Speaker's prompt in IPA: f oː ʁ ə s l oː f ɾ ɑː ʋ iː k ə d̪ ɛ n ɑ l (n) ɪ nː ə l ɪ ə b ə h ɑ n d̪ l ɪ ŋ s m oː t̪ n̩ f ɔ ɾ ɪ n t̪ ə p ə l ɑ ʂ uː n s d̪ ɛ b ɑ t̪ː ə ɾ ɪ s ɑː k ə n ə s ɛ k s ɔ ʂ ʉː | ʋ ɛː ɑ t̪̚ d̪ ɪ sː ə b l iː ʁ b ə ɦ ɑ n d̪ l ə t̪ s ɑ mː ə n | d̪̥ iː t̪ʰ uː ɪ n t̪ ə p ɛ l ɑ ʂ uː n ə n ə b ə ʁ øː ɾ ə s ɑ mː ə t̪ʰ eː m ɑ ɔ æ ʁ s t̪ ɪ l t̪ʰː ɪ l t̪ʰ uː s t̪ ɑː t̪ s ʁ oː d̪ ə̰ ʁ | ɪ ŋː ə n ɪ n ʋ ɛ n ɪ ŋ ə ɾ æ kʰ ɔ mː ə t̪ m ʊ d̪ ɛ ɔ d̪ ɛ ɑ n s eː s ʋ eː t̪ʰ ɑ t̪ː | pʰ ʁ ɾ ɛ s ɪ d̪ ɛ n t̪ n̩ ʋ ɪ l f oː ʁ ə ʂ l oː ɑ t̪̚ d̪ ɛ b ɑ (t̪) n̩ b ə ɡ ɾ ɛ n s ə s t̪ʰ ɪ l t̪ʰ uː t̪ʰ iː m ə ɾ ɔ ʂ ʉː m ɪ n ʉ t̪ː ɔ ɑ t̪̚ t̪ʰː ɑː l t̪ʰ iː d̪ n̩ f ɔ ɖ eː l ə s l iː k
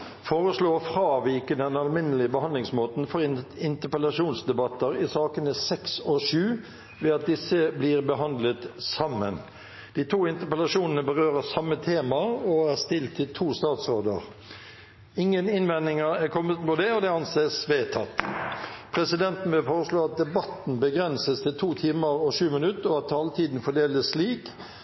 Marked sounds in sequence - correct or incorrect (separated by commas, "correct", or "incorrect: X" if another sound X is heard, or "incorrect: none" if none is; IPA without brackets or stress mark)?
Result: incorrect: m, correct